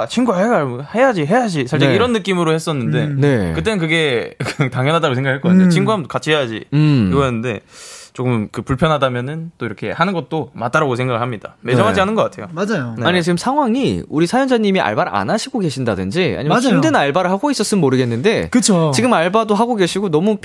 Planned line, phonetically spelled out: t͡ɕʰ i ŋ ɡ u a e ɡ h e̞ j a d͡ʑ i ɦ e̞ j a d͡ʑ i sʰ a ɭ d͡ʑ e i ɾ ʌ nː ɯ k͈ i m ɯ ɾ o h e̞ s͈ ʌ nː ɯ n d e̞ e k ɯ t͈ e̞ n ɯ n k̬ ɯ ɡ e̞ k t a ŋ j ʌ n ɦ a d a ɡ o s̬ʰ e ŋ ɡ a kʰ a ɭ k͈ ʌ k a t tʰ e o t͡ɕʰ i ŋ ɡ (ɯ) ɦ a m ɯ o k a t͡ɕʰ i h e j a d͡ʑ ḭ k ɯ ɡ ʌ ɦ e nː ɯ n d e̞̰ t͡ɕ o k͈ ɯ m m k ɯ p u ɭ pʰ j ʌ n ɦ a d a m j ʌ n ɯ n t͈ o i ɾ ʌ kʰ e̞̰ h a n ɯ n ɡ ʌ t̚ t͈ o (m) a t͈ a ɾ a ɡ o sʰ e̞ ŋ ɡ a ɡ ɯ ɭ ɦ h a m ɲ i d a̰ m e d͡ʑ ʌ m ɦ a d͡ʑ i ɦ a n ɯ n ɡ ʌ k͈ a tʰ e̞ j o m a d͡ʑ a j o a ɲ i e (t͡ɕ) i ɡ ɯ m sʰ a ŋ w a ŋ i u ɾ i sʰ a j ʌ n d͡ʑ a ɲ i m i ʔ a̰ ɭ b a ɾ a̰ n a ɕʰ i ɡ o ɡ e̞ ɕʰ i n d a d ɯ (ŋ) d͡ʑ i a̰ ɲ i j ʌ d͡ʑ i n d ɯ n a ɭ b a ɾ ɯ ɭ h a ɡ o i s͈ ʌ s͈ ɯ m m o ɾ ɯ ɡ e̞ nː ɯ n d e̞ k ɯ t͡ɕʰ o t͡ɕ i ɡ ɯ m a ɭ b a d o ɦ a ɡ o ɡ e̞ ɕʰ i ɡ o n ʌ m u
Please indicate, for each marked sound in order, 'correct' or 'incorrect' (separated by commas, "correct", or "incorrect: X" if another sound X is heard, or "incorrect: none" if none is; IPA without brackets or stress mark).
incorrect: u, correct, correct, incorrect: n